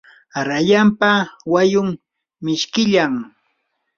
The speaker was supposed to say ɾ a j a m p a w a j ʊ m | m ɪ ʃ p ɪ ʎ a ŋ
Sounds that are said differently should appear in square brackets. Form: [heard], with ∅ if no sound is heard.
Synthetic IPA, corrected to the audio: ɾ a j a m p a w a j ʊ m | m ɪ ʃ [k] ɪ ʎ a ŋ